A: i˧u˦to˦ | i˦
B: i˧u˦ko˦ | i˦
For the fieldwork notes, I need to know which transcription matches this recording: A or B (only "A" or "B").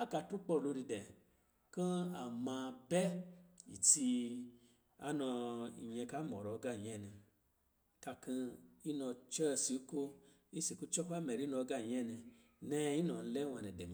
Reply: B